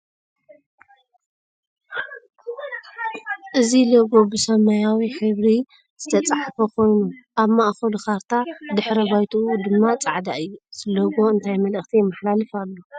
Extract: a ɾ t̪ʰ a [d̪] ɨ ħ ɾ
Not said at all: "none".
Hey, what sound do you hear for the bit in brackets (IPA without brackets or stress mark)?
d̪